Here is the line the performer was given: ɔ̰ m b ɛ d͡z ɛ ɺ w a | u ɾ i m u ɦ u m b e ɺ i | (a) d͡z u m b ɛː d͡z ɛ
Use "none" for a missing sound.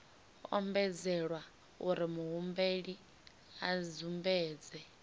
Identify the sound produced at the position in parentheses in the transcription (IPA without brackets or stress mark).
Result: a